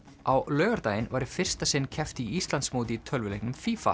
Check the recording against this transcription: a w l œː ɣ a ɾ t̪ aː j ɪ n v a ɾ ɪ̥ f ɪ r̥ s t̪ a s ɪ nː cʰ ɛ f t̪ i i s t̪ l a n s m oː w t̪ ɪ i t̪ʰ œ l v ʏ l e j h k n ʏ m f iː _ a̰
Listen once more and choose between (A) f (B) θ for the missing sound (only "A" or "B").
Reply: A